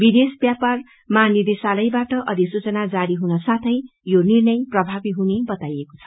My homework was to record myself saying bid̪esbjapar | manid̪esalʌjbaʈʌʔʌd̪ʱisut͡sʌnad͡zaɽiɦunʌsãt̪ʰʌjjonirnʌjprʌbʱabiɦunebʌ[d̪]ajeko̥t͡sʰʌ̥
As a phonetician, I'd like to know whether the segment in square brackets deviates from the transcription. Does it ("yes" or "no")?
yes